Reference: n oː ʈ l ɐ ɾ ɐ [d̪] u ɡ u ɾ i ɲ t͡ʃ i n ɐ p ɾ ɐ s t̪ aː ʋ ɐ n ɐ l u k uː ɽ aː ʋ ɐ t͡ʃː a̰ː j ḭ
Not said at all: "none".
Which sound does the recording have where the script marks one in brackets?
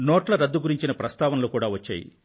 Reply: d̪ː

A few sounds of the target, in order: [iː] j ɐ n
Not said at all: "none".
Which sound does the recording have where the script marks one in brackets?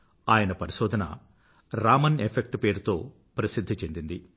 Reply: aː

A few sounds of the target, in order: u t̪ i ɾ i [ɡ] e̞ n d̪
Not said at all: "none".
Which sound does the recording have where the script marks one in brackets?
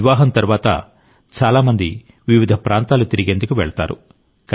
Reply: ɡ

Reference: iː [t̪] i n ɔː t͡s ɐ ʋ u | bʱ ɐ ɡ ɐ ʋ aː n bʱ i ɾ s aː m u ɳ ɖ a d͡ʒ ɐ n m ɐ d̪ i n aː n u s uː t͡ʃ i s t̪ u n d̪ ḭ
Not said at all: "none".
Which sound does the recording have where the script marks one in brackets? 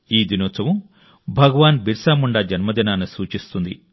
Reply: d̪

